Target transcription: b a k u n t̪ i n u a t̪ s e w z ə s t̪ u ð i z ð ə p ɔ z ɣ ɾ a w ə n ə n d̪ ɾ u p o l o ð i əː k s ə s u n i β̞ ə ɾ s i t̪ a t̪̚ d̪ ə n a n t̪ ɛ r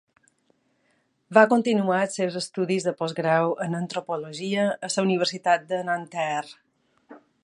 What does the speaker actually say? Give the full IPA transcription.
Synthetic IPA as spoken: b a k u n t̪ i n u a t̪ s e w z ə s t̪ u ð i z ð ə p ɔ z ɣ ɾ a w ə n ə n t̪ ɾ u p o l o ʒ i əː s ə u n i β̞ ə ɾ s i t̪ a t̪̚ d̪ ə n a n t̪ ɛ r